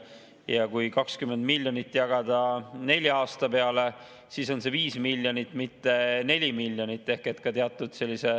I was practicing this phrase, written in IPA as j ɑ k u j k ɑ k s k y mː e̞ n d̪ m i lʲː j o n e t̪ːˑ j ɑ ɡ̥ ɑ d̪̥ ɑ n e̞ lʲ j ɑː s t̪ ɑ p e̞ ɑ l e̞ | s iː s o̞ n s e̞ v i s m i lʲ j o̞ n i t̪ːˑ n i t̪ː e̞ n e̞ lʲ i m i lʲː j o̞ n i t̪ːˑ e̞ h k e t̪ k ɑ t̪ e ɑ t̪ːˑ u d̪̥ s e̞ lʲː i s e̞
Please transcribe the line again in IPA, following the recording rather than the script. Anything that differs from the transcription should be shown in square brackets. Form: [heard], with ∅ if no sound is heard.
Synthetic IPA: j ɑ k u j k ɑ k s k y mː e̞ n d̪ m i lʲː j o n [i] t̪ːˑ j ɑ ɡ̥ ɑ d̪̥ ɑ n e̞ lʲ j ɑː s t̪ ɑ p e̞ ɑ l e̞ | s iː s o̞ n s e̞ v [iː] s m i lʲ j o̞ n i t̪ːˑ [m] i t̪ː e̞ n e̞ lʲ i m i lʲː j o̞ n i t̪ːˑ e̞ h k e t̪ k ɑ t̪ e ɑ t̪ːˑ u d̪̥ s e̞ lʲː i s e̞